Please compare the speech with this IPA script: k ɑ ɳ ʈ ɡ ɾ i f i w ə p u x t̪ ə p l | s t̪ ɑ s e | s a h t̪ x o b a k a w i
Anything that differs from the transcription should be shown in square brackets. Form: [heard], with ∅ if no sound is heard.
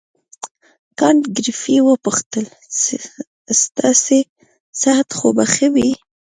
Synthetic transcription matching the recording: k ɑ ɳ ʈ ɡ ɾ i f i w ə p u x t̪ ə [∅] l | s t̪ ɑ s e | s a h t̪ x o b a [x] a w i

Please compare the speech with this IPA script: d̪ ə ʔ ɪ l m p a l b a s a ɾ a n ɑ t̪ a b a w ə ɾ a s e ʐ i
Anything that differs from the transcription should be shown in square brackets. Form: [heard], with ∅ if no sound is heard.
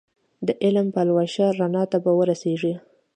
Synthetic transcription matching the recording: d̪ ə ʔ ɪ l m p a l [w] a [ʃ] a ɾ a n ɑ t̪ a b a w ə ɾ a s e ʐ i

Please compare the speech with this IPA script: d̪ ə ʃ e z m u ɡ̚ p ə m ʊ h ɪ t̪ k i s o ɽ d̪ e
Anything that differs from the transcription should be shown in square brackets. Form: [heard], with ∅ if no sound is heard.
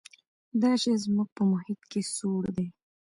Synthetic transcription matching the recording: d̪ [ɑ] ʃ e z m u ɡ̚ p ə m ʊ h ɪ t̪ k [e] s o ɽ d̪ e

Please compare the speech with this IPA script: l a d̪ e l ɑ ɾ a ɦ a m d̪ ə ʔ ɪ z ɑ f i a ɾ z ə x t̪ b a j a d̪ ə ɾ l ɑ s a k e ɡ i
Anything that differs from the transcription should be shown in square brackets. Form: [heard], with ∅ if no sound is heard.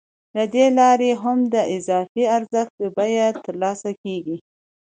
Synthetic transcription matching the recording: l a d̪ e l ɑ ɾ [e] ɦ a m d̪ ə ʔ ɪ z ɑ f i a ɾ z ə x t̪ b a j a [t̪] ə ɾ l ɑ s a k e ɡ i

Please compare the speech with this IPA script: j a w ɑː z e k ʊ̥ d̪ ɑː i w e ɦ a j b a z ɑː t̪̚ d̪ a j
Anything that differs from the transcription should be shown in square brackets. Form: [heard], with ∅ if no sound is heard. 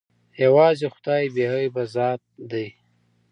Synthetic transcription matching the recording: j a w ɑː z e [x] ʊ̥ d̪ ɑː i [b] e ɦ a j b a z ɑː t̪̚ d̪ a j

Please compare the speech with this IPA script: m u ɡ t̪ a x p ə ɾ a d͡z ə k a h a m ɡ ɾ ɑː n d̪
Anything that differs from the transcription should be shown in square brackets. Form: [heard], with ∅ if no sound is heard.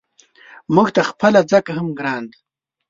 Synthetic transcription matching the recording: m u ɡ t̪ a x p ə [l] a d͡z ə k a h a m ɡ ɾ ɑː n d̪

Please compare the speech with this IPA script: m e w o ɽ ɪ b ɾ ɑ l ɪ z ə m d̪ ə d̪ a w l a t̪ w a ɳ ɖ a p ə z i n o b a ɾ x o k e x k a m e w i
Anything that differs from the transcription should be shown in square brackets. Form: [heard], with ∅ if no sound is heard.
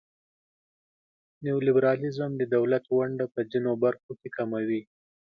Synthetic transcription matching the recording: [n] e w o [l] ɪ b ɾ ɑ l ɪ z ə m d̪ ə d̪ a w l a t̪ w a ɳ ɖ a p ə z i n o b a ɾ x o k e [∅] k a m [a] w i

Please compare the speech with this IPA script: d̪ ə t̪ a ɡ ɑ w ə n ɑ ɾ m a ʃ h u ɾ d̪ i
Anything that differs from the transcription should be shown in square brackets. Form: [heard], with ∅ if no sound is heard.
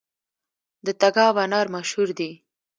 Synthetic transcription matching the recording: d̪ ə t̪ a ɡ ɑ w [a] n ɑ ɾ m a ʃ h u ɾ d̪ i

